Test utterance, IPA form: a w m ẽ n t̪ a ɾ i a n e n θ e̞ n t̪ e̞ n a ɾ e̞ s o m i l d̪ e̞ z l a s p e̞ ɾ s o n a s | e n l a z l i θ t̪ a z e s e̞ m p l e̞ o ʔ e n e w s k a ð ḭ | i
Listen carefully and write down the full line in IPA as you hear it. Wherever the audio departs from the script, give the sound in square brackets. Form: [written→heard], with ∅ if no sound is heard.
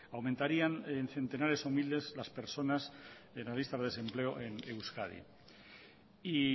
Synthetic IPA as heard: a w m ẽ n t̪ a ɾ i a n e n θ e̞ n t̪ e̞ n a ɾ e̞ s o m i l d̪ e̞ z l a s p e̞ ɾ s o n a s | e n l a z l i [θ→s] t̪ a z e s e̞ m p l e̞ o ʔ e n e w s k a ð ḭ | i